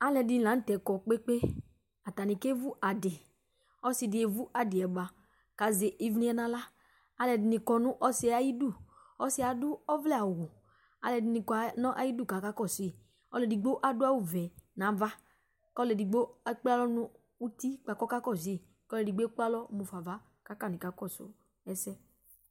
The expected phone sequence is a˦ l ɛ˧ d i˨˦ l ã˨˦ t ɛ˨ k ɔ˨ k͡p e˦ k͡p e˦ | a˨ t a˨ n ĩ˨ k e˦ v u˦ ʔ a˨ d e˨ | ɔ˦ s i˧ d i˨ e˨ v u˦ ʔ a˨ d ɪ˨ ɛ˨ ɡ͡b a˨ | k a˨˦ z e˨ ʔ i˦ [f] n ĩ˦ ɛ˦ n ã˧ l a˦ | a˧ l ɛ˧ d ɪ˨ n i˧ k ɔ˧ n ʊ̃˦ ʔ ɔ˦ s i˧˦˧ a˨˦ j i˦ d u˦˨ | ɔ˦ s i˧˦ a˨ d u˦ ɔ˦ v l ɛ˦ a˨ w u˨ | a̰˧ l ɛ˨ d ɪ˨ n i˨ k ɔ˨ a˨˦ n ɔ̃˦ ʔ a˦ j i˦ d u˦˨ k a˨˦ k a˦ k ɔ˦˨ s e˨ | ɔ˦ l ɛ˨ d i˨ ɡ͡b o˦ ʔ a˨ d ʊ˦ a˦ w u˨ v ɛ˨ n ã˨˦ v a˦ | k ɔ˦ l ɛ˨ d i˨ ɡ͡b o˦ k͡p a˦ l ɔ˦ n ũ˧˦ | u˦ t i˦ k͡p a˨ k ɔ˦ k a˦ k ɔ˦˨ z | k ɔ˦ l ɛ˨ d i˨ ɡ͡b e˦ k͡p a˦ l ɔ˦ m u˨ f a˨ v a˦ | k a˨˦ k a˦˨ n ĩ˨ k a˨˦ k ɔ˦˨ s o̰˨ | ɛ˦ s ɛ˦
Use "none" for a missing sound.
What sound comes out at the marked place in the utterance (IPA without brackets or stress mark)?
v